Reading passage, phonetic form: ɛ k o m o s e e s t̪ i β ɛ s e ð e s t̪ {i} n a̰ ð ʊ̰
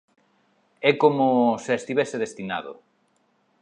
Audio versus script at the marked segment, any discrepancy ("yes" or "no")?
no